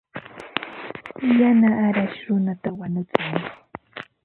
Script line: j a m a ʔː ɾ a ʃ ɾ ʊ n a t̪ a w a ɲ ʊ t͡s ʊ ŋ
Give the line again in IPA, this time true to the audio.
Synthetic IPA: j a n a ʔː ɾ a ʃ ɾ ʊ n a t̪ a w a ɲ ʊ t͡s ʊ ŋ